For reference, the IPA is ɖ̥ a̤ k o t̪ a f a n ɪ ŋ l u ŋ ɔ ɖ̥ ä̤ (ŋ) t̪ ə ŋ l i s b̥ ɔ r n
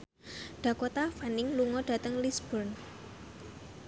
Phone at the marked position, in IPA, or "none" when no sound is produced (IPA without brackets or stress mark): none